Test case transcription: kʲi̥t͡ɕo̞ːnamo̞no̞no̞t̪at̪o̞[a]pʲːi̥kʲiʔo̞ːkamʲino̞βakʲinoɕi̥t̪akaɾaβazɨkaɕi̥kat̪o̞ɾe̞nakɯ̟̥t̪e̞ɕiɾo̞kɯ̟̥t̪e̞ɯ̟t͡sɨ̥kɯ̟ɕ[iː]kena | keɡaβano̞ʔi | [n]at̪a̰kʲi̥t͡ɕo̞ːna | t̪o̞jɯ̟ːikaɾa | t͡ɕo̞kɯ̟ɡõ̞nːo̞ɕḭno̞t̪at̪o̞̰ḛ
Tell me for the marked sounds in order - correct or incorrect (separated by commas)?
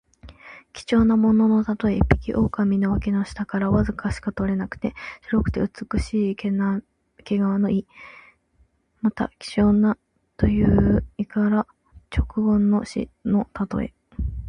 incorrect, correct, incorrect